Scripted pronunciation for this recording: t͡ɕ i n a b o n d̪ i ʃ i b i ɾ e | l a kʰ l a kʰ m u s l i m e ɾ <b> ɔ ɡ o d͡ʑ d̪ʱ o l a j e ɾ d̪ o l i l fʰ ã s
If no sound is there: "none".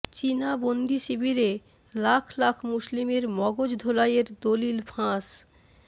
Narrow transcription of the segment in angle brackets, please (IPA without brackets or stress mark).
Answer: m